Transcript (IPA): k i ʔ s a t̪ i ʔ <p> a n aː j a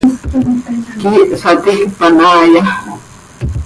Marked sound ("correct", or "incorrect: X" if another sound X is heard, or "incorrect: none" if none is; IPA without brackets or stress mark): correct